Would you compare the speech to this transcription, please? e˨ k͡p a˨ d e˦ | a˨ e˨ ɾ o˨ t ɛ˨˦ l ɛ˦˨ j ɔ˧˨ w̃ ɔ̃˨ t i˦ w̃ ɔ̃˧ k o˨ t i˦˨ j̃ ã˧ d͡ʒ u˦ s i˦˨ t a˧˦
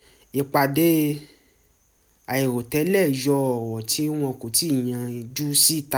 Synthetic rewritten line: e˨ k͡p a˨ d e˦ | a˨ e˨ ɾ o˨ t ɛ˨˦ l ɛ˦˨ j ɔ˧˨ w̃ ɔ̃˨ t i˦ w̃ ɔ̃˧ k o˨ t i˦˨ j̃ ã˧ d͡ʒ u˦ s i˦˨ t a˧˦

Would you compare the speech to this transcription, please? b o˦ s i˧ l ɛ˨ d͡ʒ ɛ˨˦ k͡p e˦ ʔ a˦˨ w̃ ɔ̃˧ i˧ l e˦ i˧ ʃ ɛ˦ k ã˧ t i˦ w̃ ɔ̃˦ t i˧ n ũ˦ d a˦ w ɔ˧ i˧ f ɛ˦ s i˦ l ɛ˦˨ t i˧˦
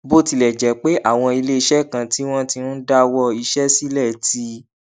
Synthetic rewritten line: b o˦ t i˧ l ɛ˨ d͡ʒ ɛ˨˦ k͡p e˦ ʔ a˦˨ w̃ ɔ̃˧ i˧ l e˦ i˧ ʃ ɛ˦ k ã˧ t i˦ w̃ ɔ̃˦ t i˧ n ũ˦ d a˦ w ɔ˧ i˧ ʃ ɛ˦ s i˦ l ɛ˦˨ t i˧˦

